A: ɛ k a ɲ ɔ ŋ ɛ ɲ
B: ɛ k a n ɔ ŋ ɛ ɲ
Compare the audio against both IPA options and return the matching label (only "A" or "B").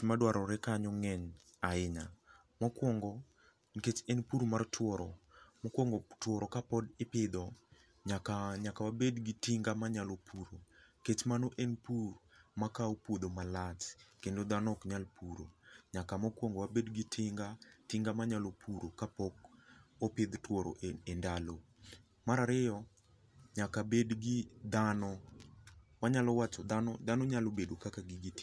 A